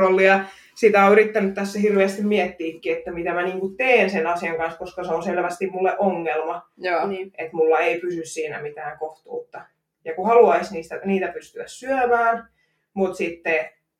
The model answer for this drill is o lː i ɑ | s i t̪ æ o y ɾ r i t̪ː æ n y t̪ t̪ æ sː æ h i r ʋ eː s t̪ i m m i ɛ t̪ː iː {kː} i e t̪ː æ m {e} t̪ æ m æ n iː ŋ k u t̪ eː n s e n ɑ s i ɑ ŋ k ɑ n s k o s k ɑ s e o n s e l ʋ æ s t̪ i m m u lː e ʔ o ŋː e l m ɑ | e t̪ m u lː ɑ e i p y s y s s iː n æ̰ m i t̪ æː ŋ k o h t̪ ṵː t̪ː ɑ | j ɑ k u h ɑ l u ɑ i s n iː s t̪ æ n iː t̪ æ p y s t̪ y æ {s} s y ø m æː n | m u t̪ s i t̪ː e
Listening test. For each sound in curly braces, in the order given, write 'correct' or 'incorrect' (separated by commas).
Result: correct, incorrect, correct